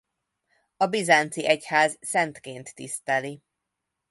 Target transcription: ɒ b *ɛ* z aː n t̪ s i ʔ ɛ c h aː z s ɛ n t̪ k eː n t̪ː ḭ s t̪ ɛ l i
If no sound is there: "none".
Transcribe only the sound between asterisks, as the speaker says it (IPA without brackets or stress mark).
i